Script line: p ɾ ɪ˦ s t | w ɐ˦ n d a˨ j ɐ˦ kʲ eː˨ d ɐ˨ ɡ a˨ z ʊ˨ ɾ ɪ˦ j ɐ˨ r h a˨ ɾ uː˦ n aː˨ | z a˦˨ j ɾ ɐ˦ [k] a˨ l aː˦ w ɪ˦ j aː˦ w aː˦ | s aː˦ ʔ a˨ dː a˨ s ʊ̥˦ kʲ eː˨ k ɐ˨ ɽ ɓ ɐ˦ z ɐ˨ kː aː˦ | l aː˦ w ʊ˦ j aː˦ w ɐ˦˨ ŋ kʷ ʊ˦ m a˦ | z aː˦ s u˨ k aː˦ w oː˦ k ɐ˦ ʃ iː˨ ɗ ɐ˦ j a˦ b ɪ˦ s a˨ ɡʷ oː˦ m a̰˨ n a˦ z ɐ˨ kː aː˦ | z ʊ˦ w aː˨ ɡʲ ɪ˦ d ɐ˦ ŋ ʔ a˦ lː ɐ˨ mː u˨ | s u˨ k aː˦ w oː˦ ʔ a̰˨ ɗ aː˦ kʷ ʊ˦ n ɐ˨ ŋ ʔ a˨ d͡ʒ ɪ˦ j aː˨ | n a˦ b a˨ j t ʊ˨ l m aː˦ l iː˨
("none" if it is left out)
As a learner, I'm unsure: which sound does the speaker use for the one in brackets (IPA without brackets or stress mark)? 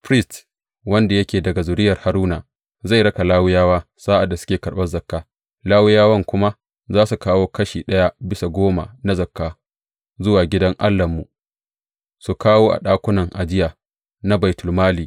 k